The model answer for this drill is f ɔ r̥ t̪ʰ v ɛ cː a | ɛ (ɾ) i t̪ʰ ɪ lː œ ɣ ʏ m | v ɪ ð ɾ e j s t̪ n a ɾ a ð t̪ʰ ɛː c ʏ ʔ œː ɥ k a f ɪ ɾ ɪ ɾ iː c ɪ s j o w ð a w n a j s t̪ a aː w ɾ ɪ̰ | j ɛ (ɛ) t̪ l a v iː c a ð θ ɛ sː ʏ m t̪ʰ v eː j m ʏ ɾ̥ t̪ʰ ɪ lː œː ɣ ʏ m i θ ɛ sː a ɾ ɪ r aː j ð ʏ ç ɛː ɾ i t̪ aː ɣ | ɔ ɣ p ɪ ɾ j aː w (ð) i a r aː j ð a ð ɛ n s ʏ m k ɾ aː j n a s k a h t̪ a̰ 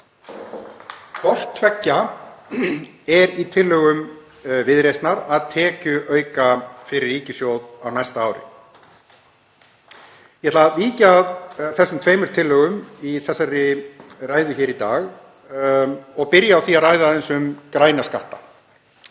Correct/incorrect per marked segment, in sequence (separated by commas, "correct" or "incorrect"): correct, correct, incorrect